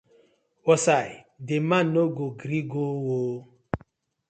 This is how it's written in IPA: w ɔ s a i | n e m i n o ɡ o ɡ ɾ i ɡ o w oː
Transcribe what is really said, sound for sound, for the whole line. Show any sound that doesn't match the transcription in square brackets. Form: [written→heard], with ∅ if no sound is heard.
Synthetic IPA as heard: w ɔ s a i | [n→d] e m [i→a] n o ɡ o ɡ ɾ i ɡ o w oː